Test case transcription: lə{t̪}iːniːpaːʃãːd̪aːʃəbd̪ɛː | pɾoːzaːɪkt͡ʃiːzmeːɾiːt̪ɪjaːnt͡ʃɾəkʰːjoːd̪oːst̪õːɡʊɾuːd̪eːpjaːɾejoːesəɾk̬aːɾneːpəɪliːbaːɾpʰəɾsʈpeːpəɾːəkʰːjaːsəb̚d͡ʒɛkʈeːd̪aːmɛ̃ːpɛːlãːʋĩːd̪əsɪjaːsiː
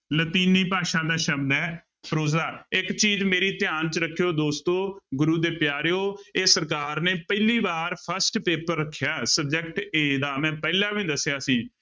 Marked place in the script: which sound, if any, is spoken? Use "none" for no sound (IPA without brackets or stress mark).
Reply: t̪